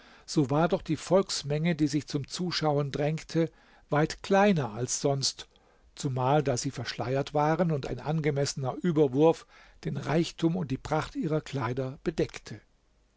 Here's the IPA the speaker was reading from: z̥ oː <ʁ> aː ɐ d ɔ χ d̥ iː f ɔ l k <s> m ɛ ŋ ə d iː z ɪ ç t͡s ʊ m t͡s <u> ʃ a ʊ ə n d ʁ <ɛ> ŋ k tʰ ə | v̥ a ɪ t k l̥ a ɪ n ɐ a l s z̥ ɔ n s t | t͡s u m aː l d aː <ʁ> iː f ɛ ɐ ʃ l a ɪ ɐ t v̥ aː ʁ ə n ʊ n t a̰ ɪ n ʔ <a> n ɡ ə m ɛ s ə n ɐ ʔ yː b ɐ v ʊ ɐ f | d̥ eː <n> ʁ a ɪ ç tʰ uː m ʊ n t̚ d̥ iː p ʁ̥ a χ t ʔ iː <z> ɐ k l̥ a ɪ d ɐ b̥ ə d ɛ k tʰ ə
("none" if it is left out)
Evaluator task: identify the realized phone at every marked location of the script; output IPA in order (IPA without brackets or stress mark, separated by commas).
v, s, uː, ɛ, z, a, n, ʁ